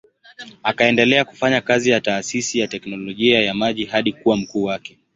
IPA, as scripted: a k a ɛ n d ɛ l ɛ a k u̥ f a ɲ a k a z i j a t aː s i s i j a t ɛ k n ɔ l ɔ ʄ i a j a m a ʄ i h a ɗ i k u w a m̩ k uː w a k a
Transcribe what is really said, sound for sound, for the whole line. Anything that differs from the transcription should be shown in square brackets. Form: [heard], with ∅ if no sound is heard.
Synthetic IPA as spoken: a k a ɛ n d ɛ l ɛ a k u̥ f a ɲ a k a z i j a t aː s i s i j a t ɛ k n ɔ l ɔ ʄ i a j a m a ʄ i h a ɗ i k u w a m̩ k uː w a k [ɛ]